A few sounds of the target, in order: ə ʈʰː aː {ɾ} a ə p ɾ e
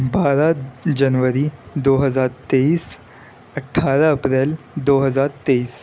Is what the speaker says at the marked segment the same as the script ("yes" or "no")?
yes